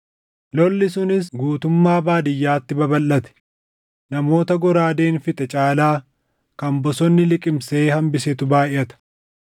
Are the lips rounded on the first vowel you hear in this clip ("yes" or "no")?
yes